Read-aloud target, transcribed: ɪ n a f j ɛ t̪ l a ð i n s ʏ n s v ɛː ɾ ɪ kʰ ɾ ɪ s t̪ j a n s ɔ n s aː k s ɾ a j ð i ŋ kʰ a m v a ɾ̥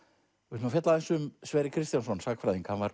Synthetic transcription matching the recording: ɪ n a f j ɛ t̪ l a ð ɛ n s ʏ m s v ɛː ɾ ɪ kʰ ɾ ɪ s t̪ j a n s ɔ n s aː k f ɾ a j ð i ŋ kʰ a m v a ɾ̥